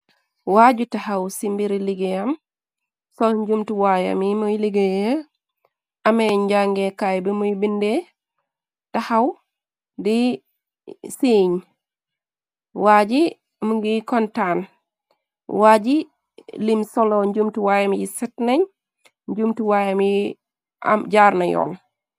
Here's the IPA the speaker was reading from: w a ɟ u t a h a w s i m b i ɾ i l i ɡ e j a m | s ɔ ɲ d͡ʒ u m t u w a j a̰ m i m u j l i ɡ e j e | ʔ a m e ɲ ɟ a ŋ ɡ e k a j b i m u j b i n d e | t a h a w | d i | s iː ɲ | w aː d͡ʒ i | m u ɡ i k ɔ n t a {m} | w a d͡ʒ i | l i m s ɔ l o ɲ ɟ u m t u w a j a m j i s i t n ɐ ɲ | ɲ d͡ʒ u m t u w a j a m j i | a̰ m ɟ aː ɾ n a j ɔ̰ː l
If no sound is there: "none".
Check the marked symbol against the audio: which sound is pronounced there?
n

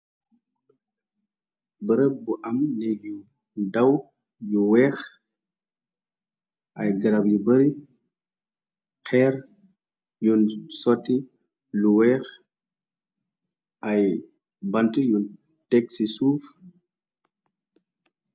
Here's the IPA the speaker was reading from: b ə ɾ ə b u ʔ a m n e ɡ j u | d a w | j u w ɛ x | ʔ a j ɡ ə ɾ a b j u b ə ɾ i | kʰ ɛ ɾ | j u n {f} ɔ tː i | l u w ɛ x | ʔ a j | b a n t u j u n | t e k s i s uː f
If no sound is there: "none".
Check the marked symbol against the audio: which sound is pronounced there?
s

